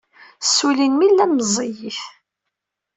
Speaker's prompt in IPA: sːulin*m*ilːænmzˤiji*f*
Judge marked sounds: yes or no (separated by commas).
yes, yes